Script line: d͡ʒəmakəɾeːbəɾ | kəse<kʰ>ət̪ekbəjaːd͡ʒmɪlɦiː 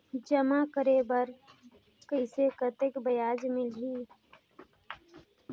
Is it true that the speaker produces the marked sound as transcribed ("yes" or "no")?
no